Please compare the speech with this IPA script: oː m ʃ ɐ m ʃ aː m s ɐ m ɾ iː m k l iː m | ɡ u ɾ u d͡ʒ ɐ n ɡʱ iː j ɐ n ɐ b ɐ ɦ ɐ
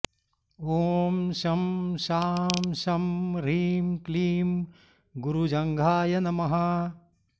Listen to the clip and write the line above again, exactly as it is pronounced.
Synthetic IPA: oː m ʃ ɐ m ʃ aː m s ɐ m ɾ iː m k l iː m | ɡ u ɾ u d͡ʒ ɐ ŋ ɡʱ aː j ɐ n ɐ m ɐ ɦ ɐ

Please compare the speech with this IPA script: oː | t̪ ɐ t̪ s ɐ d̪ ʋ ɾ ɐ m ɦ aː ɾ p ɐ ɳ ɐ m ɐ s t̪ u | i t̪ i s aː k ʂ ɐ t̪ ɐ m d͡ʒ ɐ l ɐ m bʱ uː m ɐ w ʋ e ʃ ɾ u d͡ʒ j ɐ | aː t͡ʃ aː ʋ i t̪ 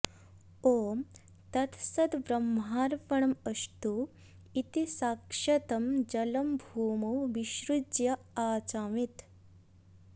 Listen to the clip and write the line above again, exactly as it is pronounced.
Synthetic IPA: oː | t̪ ɐ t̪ s ɐ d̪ ʋ ɾ ɐ m ɦ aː ɾ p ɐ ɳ ɐ m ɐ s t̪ u | i t̪ i s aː k ʂ ɐ t̪ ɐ m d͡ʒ ɐ l ɐ m bʱ uː m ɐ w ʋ i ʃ ɾ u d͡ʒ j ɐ | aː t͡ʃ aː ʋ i t̪

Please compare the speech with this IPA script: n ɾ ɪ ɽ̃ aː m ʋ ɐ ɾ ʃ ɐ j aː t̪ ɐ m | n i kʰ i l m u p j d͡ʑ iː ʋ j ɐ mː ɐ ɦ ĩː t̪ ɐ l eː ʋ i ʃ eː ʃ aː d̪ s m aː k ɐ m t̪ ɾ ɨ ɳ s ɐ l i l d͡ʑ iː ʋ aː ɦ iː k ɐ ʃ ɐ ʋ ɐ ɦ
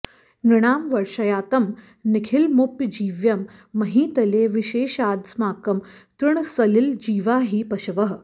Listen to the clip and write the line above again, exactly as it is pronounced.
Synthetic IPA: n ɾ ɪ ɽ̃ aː m ʋ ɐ ɾ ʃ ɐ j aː t̪ ɐ m | n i kʰ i l m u p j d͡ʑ iː ʋ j ɐ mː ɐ ɦ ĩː t̪ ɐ l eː ʋ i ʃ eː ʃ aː d̪ s m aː k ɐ m t̪ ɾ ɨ ɳ s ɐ l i l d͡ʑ iː ʋ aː ɦ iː p ɐ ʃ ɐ ʋ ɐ ɦ

